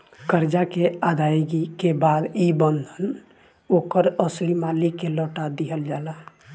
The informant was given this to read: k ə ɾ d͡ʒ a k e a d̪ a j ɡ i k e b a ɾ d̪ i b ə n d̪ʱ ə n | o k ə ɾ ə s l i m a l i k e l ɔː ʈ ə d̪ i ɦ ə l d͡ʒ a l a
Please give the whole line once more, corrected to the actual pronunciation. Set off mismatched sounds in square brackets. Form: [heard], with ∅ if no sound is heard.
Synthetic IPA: k ə ɾ d͡ʒ a k e a d̪ a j ɡ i k e b a [∅] d̪ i b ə n d̪ʱ ə n | o k ə ɾ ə s l i m a l i k e l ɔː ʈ [a] d̪ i ɦ ə l d͡ʒ a l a